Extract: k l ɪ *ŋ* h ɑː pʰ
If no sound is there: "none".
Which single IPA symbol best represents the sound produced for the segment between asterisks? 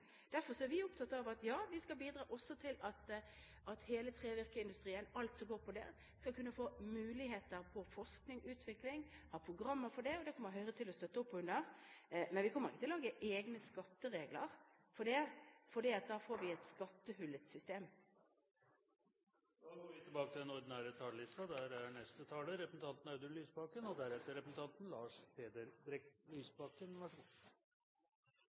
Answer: ŋ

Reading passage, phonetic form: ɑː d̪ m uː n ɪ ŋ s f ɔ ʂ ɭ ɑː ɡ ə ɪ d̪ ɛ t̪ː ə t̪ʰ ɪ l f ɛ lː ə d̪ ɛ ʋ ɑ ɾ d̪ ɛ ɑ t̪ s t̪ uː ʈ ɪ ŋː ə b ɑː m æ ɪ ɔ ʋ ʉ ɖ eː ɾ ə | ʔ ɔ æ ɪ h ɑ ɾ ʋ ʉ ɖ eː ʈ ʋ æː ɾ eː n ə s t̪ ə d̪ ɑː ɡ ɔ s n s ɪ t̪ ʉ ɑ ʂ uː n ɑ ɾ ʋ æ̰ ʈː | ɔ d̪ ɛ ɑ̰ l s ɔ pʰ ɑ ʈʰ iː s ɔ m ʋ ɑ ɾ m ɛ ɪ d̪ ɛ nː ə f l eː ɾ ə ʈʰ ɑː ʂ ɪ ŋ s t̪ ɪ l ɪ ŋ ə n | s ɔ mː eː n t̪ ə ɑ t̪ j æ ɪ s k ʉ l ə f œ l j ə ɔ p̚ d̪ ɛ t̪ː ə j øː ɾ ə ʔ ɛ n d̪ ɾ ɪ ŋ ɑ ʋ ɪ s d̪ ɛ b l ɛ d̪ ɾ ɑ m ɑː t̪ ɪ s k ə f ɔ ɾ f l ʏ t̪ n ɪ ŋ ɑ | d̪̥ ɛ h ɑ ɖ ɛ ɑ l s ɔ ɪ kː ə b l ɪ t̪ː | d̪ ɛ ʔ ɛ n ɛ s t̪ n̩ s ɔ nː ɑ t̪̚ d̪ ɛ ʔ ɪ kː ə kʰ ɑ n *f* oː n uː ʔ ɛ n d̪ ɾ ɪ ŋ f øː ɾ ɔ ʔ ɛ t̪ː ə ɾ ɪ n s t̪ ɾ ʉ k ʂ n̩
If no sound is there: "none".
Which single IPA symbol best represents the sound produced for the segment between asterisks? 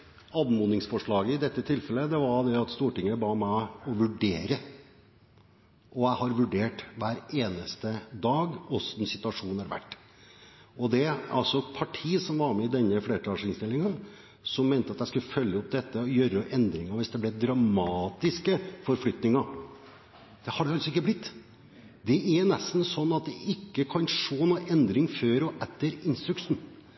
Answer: ʂ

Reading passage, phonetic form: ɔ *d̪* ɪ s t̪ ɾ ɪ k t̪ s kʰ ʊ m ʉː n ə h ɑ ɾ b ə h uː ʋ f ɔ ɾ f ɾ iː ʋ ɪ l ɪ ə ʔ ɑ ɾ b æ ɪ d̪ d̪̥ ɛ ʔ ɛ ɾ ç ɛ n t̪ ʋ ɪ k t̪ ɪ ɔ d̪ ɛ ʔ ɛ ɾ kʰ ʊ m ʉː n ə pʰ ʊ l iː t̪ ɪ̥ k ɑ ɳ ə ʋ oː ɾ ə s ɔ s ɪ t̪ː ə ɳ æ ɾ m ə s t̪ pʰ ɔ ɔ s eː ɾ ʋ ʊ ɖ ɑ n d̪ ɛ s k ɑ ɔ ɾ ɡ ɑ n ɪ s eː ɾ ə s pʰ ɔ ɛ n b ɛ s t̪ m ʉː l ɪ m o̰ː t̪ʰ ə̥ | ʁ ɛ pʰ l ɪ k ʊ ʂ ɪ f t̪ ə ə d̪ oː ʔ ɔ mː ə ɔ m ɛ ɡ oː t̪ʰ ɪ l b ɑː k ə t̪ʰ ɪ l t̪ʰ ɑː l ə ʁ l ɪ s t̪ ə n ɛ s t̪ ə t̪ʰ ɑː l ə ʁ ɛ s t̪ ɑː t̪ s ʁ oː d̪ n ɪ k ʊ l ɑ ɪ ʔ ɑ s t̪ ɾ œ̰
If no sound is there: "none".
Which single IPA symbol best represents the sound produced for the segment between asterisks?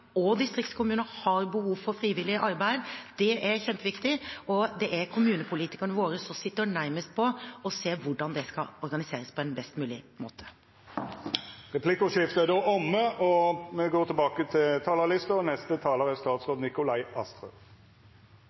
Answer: d̪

